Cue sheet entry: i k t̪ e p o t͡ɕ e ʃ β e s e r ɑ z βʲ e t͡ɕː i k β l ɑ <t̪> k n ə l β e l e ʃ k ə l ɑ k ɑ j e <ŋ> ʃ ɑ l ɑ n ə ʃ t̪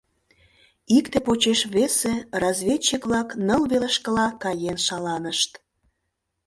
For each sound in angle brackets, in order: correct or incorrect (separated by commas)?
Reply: incorrect, incorrect